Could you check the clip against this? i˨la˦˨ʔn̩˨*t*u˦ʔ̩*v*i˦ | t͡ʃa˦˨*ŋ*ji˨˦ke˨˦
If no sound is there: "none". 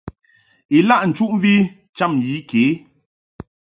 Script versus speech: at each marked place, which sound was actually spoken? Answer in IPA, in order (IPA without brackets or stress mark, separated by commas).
t͡ʃ, v, m